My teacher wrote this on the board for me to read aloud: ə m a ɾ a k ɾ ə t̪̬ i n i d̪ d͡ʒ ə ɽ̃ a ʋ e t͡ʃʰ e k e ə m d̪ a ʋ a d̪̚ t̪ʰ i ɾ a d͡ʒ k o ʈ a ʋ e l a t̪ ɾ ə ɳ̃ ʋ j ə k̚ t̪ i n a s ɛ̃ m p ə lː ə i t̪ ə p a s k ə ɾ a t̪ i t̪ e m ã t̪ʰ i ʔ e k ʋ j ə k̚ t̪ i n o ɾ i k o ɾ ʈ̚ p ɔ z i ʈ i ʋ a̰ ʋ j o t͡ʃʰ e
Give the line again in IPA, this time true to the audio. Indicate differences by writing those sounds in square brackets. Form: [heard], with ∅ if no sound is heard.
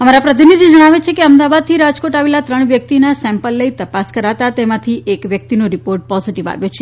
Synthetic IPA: ə m a ɾ a [p] ɾ ə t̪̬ i n i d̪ d͡ʒ ə ɽ̃ a ʋ e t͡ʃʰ e k e ə m d̪ a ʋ a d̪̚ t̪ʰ i ɾ a d͡ʒ k o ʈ a ʋ e l a t̪ ɾ ə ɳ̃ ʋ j ə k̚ t̪ i n a s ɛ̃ m p ə lː ə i t̪ ə p a s k ə ɾ a t̪ [a] t̪ e m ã t̪ʰ i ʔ e k ʋ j ə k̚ t̪ i n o ɾ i [p] o ɾ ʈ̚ p ɔ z i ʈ i ʋ a̰ ʋ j o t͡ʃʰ e

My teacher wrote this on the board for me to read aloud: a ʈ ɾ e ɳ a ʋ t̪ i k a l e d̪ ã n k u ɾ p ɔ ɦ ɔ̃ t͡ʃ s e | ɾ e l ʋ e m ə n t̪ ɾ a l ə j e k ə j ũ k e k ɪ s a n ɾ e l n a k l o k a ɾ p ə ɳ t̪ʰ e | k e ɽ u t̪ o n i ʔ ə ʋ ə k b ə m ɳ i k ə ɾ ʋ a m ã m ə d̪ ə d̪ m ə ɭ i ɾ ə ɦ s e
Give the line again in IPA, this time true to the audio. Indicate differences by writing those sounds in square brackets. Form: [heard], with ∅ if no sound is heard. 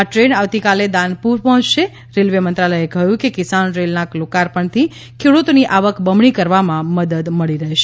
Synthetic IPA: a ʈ ɾ e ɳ a ʋ t̪ i k a l e d̪ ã n [p] u ɾ p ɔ ɦ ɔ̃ t͡ʃ [ʃ] e | ɾ e l ʋ e m ə n t̪ ɾ a l ə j e k ə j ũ k e k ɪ s a n ɾ e l n a k l o k a ɾ p ə ɳ t̪ʰ [i] | [kʰ] e ɽ u t̪ o n i ʔ [a] ʋ ə k b ə m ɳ i k ə ɾ ʋ a m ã m ə d̪ ə d̪ m ə ɭ i ɾ ə ɦ [ʃ] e

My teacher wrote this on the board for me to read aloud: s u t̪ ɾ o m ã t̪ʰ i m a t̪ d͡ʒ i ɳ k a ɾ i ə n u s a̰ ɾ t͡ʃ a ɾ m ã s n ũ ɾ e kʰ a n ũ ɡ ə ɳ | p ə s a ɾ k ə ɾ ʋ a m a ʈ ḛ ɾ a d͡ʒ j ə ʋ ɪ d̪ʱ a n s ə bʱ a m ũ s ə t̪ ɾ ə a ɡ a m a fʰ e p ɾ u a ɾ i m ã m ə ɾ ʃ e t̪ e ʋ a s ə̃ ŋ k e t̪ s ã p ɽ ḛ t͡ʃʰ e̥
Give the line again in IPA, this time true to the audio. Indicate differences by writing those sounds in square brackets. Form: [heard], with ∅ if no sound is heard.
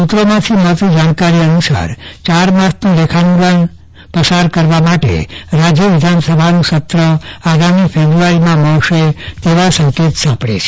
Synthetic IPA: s u t̪ ɾ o m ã t̪ʰ i m [ə] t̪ d͡ʒ [a] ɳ k a ɾ i ə n u s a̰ ɾ t͡ʃ a ɾ m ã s n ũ [l] e kʰ a n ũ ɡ ə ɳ | p ə s a ɾ k ə ɾ ʋ a m a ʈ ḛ ɾ a d͡ʒ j ə ʋ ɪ d̪ʱ a n s ə bʱ a [n] ũ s ə t̪ ɾ ə a ɡ a m [i] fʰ e [b] ɾ u a ɾ i m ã m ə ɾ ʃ e t̪ e ʋ a s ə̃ ŋ k e t̪ s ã p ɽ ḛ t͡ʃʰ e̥

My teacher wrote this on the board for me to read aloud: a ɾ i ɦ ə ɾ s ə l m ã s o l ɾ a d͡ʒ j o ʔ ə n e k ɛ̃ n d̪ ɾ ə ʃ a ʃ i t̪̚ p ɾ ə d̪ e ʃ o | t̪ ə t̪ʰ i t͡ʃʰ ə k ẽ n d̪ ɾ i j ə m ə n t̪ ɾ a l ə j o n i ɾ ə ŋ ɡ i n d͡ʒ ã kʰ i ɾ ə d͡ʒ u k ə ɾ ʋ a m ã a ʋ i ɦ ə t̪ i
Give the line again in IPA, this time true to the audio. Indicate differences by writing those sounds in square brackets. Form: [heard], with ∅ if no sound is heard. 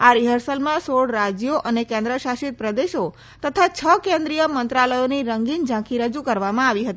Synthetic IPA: a ɾ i ɦ ə ɾ s ə l m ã s o [ɽ] ɾ a d͡ʒ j o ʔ ə n e k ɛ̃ n d̪ ɾ ə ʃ a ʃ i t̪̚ p ɾ ə d̪ e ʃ o | t̪ ə t̪ʰ [a] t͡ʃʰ ə k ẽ n d̪ ɾ i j ə m ə n t̪ ɾ a l ə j o n i ɾ ə ŋ ɡ i n d͡ʒ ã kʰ i ɾ ə d͡ʒ u k ə ɾ ʋ a m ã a ʋ i ɦ ə t̪ i

